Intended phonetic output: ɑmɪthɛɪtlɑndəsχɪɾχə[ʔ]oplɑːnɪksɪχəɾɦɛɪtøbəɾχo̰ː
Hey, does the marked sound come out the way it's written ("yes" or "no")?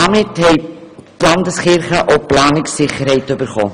yes